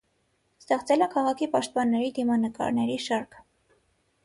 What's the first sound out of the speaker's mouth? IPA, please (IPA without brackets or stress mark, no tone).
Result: s